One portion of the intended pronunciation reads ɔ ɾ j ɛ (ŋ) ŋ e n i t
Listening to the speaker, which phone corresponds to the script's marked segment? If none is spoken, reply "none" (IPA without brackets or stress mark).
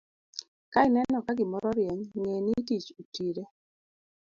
ɲ